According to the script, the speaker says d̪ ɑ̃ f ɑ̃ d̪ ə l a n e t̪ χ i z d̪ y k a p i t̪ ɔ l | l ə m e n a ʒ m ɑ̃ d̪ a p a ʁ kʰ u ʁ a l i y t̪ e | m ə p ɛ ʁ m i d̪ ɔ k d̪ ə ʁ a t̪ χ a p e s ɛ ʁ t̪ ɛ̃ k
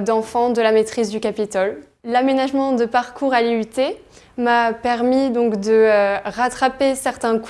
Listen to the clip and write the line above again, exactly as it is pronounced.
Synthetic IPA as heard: d̪ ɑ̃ f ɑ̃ d̪ ə l a m e t̪ χ i z d̪ y k a p i t̪ ɔ l | l a m e n a ʒ m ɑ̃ d̪ ə p a ʁ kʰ u ʁ a l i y t̪ e | m a p ɛ ʁ m i d̪ ɔ̃ k d̪ ə ʁ a t̪ χ a p e s ɛ ʁ t̪ ɛ̃ k